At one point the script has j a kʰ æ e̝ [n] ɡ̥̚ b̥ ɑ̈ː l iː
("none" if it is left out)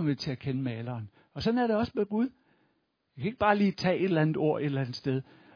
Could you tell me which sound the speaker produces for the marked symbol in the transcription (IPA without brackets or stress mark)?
none